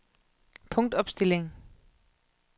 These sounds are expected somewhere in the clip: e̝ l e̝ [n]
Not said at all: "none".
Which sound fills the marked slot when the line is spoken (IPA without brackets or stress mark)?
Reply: ŋ